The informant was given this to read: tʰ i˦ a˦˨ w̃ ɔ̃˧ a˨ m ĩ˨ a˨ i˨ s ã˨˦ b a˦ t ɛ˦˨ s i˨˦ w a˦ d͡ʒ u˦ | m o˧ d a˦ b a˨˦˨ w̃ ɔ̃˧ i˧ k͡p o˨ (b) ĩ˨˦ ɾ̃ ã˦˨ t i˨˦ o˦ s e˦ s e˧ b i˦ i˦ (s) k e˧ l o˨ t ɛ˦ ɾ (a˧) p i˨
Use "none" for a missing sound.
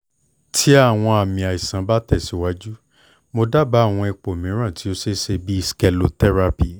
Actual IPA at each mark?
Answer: m, s, a˧

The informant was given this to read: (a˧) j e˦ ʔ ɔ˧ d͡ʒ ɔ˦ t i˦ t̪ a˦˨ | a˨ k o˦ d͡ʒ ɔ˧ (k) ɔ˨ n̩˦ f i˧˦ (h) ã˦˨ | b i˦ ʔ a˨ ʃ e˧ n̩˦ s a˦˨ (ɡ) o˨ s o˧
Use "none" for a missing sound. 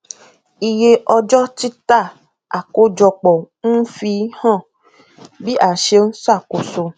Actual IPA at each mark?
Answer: i˧, k͡p, h, k

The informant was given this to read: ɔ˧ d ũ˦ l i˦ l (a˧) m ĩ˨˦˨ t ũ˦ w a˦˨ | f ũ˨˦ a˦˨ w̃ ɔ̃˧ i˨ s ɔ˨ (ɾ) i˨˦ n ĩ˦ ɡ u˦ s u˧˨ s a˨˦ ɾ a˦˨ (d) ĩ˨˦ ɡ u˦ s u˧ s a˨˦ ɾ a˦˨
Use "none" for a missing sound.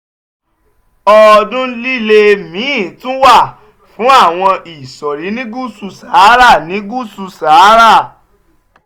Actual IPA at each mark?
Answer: e˧, ɾ, n

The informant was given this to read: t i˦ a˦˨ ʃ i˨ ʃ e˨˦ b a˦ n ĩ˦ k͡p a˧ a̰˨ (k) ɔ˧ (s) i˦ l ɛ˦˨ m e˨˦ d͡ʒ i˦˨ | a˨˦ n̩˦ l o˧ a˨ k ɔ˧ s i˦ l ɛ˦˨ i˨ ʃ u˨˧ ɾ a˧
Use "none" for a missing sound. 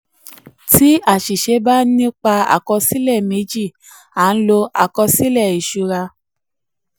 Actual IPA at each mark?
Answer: k, s

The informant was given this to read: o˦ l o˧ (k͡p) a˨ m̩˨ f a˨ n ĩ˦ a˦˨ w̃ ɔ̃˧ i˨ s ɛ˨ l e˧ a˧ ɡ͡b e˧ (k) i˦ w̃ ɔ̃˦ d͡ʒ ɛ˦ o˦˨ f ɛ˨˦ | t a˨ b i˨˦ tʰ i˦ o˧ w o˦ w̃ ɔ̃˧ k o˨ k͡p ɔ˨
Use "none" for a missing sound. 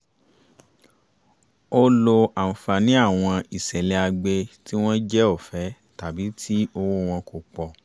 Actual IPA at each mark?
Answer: none, t

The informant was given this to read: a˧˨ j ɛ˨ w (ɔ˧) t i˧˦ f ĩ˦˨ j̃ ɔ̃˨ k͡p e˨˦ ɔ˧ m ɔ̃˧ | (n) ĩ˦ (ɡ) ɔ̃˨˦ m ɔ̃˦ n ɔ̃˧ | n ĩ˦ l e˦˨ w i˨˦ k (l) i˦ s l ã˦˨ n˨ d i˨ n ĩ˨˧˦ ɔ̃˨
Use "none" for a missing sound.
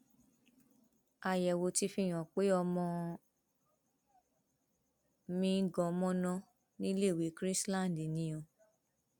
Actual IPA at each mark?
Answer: o˧, m, ɡ, ɾ

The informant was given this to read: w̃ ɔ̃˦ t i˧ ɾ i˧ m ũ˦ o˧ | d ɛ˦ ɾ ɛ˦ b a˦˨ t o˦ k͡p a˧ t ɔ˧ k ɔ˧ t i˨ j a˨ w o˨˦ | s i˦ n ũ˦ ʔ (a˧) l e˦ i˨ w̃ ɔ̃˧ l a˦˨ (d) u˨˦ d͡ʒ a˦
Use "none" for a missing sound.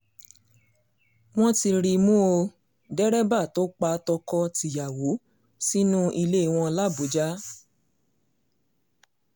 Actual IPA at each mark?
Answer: i˧, b

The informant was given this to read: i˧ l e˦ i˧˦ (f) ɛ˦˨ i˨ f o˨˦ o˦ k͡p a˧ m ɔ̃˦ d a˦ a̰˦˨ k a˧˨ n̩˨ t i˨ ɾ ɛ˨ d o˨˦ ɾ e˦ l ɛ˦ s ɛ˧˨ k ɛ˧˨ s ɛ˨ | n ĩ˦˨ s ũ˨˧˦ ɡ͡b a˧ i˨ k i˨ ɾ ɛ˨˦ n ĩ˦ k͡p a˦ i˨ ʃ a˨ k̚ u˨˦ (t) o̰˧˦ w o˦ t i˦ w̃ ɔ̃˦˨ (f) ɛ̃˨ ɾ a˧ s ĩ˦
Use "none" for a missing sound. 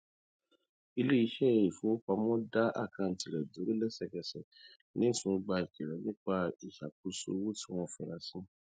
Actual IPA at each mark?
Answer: ʃ, s, f

